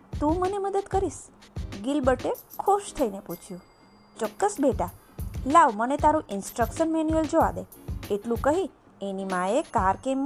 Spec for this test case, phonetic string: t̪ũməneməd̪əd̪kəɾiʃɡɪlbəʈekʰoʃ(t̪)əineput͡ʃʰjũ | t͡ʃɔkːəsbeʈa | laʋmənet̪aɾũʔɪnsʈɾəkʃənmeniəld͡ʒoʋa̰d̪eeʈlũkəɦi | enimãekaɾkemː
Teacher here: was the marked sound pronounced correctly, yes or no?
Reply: no